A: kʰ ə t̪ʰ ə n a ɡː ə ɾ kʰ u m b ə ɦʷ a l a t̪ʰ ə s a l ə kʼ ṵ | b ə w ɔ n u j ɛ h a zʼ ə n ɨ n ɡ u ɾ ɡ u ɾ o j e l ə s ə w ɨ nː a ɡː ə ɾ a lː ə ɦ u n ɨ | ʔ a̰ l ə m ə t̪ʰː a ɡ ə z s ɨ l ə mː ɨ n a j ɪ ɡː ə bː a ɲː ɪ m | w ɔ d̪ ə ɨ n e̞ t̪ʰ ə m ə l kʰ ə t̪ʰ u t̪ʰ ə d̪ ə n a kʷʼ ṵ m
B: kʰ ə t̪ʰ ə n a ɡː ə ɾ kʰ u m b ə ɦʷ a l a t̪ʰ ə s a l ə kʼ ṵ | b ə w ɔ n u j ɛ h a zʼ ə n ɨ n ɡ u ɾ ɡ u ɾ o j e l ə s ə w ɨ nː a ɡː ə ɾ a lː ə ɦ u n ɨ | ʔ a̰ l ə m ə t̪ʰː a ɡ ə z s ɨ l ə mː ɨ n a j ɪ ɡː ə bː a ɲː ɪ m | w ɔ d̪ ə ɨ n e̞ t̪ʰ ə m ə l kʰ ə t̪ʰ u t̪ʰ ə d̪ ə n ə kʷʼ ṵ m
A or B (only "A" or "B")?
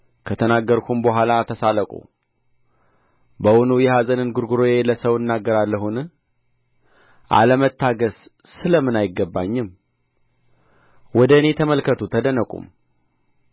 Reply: B